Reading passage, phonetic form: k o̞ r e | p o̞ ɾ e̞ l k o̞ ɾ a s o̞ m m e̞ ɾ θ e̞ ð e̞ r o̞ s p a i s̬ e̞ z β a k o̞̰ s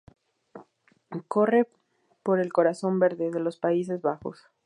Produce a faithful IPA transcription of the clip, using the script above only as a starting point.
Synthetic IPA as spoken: k o̞ r e | p o̞ ɾ e̞ l k o̞ ɾ a s o̞ m b e̞ ɾ ð e̞ ð e̞ l o̞ s p a i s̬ e̞ z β a x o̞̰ s

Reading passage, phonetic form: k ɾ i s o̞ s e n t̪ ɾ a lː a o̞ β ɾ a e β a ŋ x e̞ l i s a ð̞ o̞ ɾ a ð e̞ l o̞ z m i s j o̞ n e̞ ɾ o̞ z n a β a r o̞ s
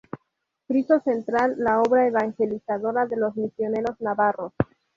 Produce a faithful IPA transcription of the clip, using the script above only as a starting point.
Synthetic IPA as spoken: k ɾ i s o̞ s e n t̪ ɾ a lː a o̞ β ɾ a e β a ŋ x e̞ l i s a ð̞ o̞ ɾ a ð e̞ l o̞ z m i s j o̞ n e̞ ɾ o̞ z n a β a r o̞ s

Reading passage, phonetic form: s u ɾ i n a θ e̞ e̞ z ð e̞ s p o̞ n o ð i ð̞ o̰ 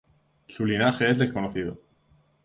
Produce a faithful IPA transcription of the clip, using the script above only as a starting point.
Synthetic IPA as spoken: s u l i n a x e̞ e̞ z ð e̞ s k o̞ n o θ i ð̞ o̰

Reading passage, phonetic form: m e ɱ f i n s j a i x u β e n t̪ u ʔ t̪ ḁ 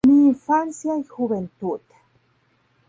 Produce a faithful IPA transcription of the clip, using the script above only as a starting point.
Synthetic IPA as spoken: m i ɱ f a n s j a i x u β e n t̪ u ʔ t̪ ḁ

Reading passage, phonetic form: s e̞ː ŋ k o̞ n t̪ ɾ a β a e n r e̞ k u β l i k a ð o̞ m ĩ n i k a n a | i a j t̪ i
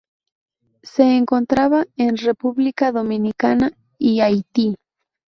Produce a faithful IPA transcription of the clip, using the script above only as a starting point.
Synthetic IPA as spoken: s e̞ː ŋ k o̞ n t̪ ɾ a β a e n r e̞ p u β l i k a ð o̞ m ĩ n i k a n a | i a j t̪ i

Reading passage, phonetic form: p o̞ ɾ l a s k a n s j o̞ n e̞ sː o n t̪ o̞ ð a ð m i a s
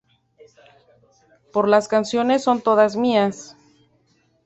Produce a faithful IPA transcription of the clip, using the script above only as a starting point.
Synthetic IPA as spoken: p o̞ ɾ l a s k a n s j o̞ n e̞ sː o n t̪ o̞ ð a z m i a s

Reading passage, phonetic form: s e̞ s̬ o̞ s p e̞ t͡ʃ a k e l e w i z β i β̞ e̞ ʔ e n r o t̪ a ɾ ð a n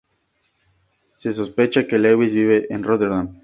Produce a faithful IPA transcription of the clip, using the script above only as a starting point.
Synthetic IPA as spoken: s e̞ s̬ o̞ s p e̞ t͡ʃ a k e l e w i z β i β̞ e̞ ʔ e n r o t̪ e ɾ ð a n

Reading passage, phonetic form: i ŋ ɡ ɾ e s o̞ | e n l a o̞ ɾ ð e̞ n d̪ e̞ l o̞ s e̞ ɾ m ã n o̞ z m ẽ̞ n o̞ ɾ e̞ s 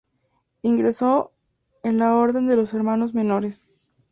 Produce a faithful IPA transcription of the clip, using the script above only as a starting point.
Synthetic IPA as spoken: i ŋ ɡ ɾ e s o̞ | e n l a o̞ ɾ ð e̞ n d̪ e̞ l o̞ s e̞ ɾ m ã n o̞ z m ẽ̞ n o̞ ɾ e̞ s

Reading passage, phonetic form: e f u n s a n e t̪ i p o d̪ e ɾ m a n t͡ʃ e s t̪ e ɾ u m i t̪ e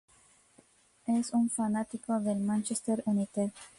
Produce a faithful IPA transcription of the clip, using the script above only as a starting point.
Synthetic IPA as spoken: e s u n f a n a t̪ i k o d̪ e l m a n t͡ʃ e s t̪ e ɾ u n i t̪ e

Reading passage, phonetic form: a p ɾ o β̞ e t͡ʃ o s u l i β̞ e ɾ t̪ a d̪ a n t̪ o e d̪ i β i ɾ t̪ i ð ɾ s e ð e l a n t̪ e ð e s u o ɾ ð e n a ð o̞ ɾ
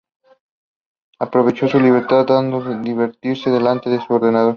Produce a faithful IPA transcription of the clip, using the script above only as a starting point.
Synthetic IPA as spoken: a p ɾ o β̞ e t͡ʃ o s u l i β̞ e ɾ t̪ a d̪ a n d̪ o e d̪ i β e ɾ t̪ i ɾ s e ð e l a n t̪ e ð e s u o ɾ ð e n a ð o̞ ɾ

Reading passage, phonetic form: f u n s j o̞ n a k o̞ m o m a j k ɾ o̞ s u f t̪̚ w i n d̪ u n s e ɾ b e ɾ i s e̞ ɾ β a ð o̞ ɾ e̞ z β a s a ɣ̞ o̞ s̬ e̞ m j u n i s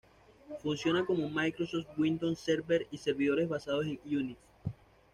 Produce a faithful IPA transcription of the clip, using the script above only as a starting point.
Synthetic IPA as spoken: f u n s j o̞ n a k o̞ m o m a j k ɾ o̞ s o f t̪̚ w i n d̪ o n s e ɾ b e ɾ i s e̞ ɾ β i ð o̞ ɾ e̞ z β a s a ð̞ o̞ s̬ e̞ ŋ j u n i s

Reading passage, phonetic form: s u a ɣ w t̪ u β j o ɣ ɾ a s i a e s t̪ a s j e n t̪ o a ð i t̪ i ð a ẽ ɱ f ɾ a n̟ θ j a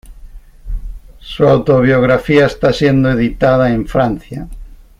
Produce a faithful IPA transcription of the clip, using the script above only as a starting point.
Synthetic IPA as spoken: s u a w t̪ o β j o ɣ ɾ a f i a e s t̪ a s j e n d̪ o e ð i t̪ a ð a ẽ ɱ f ɾ a n̟ θ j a

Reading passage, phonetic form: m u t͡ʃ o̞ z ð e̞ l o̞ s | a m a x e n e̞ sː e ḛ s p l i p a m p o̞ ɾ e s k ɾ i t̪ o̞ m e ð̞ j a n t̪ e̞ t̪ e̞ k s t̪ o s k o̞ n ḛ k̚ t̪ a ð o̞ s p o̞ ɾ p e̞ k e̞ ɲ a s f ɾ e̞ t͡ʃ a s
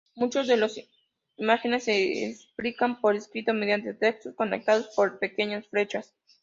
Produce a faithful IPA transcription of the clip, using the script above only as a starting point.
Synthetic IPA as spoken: m u t͡ʃ o̞ z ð e̞ l o̞ s | i m a x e n e̞ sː e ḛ s p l i k a m p o̞ ɾ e s k ɾ i t̪ o̞ m e ð̞ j a n t̪ e̞ t̪ e̞ k s t̪ o s k o̞ n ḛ k̚ t̪ a ð o̞ s p o̞ ɾ p e̞ k e̞ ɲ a s f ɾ e̞ t͡ʃ a s

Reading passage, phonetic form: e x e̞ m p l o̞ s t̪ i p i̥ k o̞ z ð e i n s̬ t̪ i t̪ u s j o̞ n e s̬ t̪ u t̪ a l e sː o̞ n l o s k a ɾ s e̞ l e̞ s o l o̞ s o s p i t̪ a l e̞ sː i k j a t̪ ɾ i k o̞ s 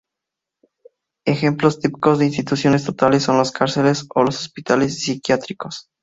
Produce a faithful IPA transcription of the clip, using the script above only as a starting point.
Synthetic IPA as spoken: e x e̞ m p l o̞ s t̪ i p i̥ k o̞ z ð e i n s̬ t̪ i t̪ u s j o̞ n e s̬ t̪ o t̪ a l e sː o̞ n l o s k a ɾ s e̞ l e̞ s o l o̞ s o s p i t̪ a l e̞ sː i k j a t̪ ɾ i k o̞ s

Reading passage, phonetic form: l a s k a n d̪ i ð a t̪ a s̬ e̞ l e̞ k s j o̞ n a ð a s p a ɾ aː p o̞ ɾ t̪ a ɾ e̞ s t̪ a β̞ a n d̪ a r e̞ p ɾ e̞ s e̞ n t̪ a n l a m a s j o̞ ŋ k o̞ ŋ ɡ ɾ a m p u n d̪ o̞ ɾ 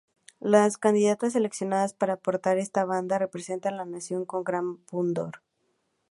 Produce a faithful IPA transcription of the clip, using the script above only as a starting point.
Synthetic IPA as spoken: l a s k a n d̪ i ð a t̪ a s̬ e̞ l e̞ k s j o̞ n a ð a s p a ɾ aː p o̞ ɾ t̪ a ɾ e̞ s t̪ a β̞ a n d̪ a r e̞ p ɾ e̞ s e̞ n t̪ a n l a n a s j o̞ ŋ k o̞ ŋ ɡ ɾ a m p u n d̪ o̞ ɾ

